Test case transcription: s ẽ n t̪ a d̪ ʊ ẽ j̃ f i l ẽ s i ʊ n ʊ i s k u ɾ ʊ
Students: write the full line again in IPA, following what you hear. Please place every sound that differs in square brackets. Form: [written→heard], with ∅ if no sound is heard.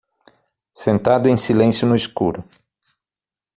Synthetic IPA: s ẽ n t̪ a d̪ ʊ ẽ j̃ [f→s] i l ẽ s [i→j] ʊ n ʊ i s k u ɾ ʊ